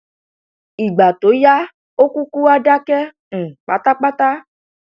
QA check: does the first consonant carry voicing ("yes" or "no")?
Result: yes